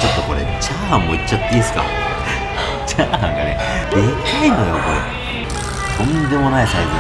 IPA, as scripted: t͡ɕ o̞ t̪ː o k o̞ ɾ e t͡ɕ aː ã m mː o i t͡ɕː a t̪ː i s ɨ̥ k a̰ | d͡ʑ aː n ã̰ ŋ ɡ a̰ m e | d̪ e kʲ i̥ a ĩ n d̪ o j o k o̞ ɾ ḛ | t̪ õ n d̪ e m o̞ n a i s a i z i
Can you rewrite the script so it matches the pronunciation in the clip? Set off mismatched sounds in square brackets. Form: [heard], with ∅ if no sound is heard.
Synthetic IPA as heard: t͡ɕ o̞ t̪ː o k o̞ ɾ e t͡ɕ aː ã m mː o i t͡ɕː a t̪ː i s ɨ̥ k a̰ | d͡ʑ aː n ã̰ ŋ ɡ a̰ [n] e | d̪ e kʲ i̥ a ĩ n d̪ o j o k o̞ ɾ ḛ | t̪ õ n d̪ e m o̞ n a i s a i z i